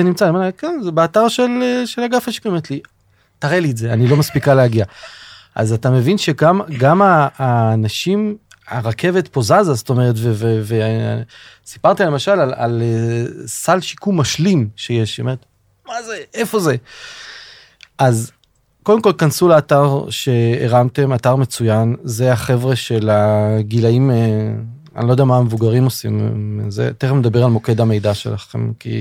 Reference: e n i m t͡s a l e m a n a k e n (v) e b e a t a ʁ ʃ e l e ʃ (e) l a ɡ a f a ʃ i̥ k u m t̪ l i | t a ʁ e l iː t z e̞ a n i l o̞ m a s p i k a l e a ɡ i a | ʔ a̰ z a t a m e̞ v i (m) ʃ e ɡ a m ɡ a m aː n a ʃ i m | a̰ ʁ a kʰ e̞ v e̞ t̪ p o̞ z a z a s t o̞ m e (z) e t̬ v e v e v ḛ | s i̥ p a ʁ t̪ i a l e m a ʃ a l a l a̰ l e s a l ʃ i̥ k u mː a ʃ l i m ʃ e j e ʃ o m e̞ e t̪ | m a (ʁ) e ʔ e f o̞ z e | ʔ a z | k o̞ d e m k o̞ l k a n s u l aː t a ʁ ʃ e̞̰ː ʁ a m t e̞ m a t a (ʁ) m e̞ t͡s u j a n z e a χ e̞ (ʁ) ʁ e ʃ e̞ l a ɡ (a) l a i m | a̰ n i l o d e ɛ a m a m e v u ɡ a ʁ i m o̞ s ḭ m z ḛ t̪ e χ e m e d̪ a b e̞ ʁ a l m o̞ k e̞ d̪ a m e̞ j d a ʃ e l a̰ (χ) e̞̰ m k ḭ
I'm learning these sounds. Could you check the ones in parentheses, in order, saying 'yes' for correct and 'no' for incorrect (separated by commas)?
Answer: no, yes, no, no, no, yes, no, no, yes